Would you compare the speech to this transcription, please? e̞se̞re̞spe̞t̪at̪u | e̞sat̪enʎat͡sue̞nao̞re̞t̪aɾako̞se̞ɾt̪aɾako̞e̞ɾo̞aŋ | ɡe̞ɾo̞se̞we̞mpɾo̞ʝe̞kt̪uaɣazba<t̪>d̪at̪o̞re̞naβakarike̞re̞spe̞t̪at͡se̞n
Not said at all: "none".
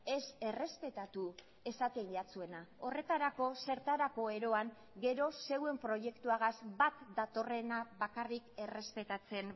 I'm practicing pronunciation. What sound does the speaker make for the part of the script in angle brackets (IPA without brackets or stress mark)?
t̪